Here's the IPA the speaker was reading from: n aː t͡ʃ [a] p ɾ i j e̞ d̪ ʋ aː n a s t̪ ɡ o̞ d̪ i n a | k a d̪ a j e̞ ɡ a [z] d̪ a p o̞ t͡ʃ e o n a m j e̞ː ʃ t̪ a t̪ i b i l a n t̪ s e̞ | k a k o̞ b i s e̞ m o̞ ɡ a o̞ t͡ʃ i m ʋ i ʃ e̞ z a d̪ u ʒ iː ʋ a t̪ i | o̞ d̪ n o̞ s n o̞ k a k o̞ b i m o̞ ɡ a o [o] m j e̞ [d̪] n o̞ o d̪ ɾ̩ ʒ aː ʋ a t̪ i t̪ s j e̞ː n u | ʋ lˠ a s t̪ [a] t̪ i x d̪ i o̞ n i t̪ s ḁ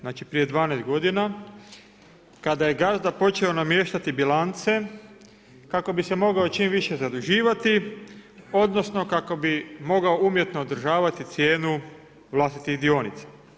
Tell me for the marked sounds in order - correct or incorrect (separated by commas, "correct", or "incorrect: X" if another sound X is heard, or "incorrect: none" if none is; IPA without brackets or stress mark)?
incorrect: i, correct, incorrect: u, incorrect: t̪, incorrect: i